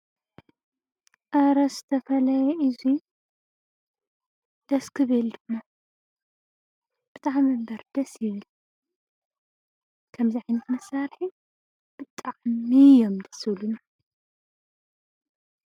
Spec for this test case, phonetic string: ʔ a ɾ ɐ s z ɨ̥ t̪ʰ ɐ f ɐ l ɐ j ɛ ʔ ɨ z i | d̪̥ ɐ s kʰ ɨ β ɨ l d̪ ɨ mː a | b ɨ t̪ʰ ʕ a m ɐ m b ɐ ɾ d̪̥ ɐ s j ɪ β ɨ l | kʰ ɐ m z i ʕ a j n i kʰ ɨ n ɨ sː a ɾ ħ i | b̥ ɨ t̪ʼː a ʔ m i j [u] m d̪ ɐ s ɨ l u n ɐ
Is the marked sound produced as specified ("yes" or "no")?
no